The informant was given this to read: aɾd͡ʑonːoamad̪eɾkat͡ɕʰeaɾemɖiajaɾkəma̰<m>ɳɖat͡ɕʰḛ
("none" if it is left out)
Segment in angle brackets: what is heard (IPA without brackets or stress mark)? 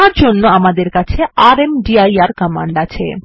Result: none